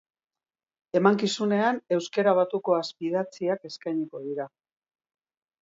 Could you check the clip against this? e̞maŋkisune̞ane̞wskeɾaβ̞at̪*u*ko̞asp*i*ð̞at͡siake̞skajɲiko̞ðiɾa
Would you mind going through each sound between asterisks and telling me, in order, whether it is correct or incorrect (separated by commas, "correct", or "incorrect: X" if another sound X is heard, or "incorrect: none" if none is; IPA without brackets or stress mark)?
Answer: correct, correct